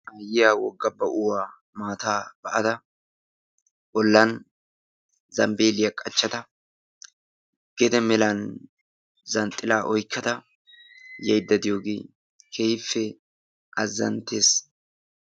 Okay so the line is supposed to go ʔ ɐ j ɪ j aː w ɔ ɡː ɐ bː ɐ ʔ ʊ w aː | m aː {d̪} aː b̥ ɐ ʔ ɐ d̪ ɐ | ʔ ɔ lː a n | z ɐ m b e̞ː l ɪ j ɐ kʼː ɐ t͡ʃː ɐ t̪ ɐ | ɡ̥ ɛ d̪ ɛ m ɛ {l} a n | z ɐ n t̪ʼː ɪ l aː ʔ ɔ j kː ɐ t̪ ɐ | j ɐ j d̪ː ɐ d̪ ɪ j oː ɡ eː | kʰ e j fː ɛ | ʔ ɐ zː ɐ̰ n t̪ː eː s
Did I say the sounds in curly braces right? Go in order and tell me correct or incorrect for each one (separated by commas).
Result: incorrect, correct